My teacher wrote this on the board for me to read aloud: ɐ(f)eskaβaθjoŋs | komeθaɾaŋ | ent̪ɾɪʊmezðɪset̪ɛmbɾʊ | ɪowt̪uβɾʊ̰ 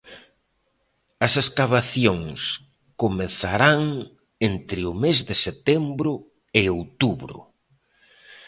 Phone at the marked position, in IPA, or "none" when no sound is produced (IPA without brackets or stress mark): s